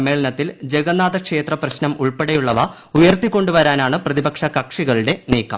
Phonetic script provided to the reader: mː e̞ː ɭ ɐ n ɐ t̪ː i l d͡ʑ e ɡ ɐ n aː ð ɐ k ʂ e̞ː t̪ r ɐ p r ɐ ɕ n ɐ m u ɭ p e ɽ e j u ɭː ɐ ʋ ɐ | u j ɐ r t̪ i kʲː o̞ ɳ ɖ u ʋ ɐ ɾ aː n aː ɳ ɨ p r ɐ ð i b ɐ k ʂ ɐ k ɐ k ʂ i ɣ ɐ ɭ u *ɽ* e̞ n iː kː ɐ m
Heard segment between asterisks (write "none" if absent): ɽ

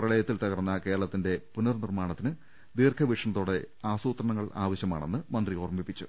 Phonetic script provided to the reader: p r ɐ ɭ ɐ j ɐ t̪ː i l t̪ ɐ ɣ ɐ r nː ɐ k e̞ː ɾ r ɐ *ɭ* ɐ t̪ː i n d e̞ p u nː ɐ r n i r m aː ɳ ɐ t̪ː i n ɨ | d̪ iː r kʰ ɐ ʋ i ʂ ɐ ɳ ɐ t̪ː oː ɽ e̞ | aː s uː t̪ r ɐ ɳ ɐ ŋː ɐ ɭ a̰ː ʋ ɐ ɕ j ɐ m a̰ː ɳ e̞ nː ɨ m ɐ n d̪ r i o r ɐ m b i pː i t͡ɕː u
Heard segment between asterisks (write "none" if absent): ɭ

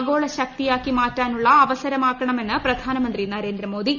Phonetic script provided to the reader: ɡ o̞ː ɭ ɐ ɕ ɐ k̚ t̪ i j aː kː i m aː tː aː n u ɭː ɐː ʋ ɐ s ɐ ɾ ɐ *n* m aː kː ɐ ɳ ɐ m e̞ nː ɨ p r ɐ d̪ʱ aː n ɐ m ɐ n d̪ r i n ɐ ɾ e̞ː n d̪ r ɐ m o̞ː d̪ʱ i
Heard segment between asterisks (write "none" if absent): none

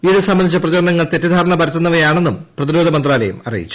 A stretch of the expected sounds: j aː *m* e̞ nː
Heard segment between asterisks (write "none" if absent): ɳ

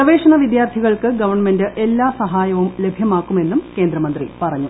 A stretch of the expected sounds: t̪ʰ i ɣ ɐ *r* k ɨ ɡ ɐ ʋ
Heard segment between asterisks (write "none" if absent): ɭ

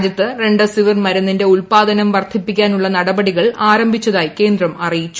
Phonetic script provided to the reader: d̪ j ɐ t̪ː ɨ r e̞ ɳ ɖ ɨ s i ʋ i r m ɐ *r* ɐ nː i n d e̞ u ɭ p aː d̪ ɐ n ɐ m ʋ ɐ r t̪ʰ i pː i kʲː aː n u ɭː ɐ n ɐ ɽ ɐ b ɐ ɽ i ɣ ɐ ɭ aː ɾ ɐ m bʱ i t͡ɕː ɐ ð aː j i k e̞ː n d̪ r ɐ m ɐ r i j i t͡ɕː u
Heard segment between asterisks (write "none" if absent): ɾ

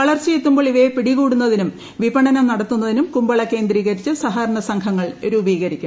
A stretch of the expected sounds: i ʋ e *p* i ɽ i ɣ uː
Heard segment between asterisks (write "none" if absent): p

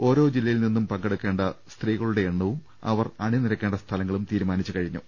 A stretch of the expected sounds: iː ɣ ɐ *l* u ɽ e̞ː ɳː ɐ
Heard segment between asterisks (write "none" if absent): ɭ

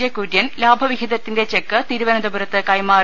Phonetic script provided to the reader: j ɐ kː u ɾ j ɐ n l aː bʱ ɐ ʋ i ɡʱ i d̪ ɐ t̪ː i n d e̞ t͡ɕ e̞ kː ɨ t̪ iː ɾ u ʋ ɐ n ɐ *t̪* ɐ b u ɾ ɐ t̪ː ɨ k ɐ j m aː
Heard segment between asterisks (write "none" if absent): d̪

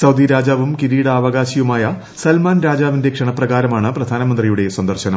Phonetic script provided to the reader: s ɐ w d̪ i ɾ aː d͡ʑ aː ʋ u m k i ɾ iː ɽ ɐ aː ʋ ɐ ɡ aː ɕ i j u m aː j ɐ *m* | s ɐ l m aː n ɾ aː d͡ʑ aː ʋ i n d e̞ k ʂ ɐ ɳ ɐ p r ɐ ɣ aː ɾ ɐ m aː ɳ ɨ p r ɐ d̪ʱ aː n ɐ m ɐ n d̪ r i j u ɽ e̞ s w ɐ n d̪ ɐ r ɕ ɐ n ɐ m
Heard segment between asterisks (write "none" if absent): none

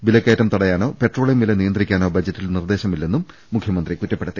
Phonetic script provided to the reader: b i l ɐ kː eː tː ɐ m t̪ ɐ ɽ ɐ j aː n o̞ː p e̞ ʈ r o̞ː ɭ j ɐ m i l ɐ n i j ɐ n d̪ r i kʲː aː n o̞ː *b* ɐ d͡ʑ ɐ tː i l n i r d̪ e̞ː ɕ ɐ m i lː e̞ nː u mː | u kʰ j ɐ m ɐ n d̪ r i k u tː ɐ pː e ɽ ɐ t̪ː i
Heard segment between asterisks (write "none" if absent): b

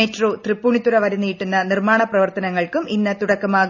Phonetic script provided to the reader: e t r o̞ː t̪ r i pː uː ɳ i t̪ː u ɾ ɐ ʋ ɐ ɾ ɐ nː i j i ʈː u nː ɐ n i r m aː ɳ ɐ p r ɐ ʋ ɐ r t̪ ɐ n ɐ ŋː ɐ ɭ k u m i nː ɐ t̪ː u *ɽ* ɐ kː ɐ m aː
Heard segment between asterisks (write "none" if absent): ɽ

